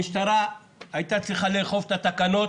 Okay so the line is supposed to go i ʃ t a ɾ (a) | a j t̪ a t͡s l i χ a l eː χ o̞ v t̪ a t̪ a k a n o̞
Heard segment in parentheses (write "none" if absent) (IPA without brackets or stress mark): a